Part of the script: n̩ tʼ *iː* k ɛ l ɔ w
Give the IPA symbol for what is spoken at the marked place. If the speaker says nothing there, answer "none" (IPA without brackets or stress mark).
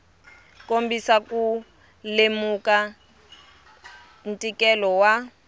i